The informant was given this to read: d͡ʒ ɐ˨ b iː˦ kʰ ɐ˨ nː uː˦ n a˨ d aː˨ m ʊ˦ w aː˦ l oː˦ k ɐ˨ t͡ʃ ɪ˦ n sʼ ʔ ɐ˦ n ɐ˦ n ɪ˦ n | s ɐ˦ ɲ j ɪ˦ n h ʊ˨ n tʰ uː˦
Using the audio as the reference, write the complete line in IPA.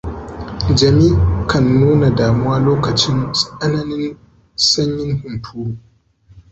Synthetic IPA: d͡ʒ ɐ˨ m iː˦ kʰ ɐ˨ nː uː˦ n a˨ d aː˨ m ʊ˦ w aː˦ l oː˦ k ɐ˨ t͡ʃ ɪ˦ n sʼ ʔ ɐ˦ n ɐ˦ n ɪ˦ n | s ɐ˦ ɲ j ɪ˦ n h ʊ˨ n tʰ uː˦